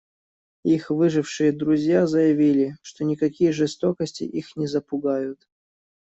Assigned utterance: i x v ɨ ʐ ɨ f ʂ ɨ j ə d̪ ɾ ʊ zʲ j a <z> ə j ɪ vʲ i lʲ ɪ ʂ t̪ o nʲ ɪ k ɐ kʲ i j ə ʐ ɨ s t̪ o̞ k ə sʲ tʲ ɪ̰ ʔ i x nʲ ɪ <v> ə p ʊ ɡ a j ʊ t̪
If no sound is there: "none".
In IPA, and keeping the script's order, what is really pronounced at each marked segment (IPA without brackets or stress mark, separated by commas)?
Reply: z, z